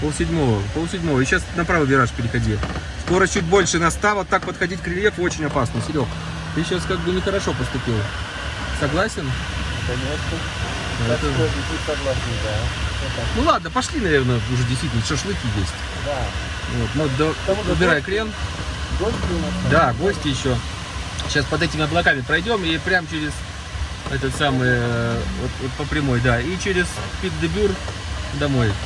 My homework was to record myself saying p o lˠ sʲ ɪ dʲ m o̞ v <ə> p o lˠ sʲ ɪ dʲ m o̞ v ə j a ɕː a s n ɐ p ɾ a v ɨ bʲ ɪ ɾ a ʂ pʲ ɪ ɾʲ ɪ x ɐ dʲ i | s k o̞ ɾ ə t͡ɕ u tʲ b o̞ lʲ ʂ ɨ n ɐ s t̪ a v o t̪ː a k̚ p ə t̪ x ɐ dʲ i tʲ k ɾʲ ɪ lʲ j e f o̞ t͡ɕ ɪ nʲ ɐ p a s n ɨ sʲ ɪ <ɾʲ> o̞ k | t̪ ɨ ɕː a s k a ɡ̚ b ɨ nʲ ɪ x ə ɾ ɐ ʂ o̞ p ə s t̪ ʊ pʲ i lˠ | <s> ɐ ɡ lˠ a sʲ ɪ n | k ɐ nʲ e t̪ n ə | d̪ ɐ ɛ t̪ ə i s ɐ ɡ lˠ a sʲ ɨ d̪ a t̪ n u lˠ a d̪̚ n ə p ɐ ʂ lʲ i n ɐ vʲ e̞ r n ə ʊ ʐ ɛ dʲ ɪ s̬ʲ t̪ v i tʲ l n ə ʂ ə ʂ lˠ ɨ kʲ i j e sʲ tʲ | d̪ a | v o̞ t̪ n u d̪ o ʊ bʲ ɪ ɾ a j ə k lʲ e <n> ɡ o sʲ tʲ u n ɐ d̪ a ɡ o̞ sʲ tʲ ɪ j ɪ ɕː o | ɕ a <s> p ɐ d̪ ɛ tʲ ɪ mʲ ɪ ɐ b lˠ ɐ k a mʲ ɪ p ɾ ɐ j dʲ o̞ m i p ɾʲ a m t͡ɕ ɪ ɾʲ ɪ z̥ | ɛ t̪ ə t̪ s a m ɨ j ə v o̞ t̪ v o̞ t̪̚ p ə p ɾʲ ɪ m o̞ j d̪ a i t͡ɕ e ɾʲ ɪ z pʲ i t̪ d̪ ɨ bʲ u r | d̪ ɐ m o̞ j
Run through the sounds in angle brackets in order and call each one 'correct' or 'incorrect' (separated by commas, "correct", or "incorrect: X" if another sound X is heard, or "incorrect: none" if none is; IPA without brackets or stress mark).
correct, correct, correct, correct, correct